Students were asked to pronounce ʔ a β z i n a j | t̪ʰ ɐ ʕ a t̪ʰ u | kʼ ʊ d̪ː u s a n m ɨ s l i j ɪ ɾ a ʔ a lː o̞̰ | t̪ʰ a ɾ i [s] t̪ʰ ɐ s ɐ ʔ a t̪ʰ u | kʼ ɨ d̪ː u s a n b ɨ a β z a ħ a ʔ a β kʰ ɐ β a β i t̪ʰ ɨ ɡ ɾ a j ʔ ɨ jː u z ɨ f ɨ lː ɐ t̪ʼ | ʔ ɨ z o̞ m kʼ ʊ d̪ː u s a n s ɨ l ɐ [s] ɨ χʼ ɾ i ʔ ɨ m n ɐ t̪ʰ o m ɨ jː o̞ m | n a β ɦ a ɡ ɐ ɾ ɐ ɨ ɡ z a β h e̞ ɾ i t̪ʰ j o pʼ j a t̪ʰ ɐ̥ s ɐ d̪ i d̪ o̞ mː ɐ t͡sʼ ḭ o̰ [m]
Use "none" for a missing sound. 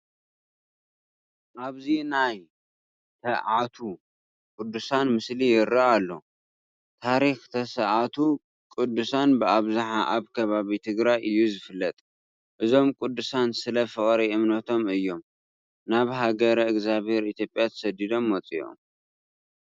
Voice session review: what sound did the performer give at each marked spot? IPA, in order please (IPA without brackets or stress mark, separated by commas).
x, f, m